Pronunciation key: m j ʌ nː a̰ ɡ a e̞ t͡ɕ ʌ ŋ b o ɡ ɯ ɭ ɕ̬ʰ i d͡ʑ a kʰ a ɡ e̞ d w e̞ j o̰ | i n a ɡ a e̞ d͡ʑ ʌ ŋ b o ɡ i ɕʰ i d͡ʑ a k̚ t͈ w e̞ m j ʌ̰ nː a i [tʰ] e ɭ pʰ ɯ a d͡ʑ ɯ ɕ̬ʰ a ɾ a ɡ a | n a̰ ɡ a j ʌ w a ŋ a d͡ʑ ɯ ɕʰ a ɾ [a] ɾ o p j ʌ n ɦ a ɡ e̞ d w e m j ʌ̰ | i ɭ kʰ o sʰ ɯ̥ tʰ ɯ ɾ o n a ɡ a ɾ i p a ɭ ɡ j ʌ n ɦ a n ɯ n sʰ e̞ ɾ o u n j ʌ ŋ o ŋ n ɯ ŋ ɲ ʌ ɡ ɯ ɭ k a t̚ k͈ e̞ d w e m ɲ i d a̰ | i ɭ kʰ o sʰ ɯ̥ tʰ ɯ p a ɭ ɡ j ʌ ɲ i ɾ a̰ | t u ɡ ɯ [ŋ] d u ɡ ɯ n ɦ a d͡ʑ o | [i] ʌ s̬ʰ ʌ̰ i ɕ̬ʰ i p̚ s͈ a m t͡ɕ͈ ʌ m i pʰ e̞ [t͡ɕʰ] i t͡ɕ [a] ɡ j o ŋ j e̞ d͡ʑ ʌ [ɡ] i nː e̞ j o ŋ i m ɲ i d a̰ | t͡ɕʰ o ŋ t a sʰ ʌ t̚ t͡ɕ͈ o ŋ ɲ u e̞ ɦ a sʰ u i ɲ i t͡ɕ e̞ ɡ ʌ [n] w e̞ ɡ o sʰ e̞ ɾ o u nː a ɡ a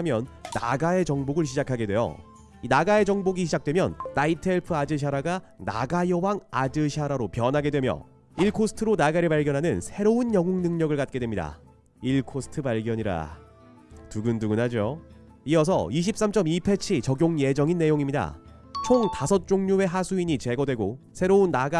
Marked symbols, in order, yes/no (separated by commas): yes, yes, no, yes, yes, no, no, no